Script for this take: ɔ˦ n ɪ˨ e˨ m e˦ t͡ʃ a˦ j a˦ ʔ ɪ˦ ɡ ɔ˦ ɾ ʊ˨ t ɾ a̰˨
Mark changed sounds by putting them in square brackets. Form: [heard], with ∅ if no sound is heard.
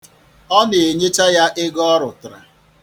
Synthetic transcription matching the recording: ɔ˦ n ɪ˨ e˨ [ɲ] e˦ t͡ʃ a˦ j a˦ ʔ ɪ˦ ɡ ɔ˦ ɾ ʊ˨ t ɾ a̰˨